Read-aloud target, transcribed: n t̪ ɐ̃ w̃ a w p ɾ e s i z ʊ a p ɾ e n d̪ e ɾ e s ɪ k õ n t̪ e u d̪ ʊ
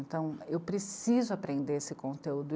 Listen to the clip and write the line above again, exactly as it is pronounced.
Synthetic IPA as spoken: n t̪ ɐ̃ w̃ e w p ɾ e s i z ʊ a p ɾ ẽ n d̪ e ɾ e s ɪ k õ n t̪ e u d̪ ʊ